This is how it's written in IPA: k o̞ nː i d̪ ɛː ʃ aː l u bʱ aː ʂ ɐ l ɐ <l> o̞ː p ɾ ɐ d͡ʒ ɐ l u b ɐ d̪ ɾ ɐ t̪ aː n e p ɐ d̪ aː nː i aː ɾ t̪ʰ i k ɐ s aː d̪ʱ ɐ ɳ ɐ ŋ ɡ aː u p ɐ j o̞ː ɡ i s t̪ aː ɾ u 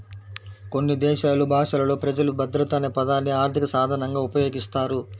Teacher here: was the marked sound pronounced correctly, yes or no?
yes